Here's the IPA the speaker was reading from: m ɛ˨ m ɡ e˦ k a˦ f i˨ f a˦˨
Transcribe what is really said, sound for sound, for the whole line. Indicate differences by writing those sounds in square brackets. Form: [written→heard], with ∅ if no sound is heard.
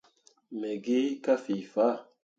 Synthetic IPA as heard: m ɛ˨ [m→∅] ɡ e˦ k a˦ f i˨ f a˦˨